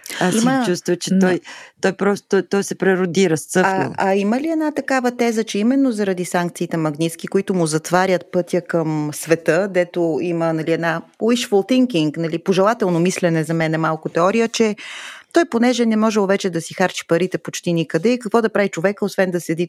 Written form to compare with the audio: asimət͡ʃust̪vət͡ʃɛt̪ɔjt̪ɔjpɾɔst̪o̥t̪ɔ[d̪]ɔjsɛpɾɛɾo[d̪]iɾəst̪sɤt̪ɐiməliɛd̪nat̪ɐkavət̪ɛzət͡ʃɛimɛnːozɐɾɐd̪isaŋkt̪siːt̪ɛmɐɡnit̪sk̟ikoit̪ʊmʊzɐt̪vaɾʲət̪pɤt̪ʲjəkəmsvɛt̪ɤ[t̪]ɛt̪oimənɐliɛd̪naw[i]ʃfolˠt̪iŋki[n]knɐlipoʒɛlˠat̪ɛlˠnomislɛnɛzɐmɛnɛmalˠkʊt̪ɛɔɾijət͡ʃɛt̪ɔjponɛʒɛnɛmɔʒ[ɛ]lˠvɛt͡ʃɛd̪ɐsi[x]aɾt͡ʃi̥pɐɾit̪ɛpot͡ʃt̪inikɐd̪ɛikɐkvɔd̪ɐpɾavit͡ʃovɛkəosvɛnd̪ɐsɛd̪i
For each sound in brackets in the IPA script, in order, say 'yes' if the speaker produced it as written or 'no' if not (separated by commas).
no, yes, no, yes, no, yes, yes